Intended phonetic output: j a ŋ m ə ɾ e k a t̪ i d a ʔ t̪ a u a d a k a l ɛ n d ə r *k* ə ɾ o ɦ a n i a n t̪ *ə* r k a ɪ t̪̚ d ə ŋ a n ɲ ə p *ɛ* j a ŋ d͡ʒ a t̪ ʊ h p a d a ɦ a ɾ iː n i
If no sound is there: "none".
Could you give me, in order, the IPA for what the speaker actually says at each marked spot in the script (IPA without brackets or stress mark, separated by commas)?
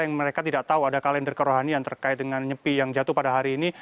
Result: k, ə, i